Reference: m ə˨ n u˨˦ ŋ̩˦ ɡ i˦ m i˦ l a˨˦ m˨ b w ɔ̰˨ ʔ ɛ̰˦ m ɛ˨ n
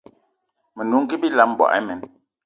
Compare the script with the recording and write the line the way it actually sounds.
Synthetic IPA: m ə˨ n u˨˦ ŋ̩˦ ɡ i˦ b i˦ l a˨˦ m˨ b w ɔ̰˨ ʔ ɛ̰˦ m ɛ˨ n

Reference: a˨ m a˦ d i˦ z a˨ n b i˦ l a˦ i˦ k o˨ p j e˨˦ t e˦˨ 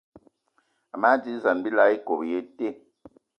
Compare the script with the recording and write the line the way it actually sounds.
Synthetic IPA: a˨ m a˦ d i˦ z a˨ n b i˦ l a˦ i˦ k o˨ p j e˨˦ t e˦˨

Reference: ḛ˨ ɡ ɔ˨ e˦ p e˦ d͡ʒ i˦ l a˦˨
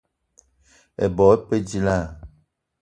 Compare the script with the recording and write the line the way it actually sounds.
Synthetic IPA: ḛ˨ b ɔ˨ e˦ p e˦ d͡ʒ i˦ l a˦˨

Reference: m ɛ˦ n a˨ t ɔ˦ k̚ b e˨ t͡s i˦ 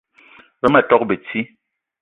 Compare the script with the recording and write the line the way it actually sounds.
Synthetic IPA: b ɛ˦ m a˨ t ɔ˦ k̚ b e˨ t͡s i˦

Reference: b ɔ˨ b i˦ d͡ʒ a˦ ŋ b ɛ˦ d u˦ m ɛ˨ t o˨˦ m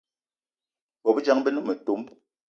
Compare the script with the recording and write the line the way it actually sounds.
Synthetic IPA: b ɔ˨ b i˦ d͡ʒ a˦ ŋ b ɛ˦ n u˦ m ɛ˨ t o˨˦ m

